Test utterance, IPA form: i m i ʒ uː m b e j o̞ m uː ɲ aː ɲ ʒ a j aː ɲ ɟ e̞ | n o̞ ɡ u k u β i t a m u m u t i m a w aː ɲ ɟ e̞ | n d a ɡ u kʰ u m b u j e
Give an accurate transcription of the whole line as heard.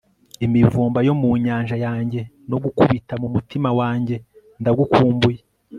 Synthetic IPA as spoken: i m i v uː m b a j o̞ m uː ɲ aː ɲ ʒ a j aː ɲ ɟ e̞ | n o̞ ɡ u k u β i t a m u m u t i m a w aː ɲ ɟ e̞ | n d a ɡ u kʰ uː m b u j e